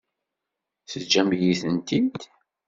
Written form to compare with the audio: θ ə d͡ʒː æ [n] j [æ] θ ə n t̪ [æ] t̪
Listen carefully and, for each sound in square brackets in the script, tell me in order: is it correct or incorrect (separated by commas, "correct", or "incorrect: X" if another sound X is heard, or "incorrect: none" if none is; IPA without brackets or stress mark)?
incorrect: m, incorrect: i, incorrect: i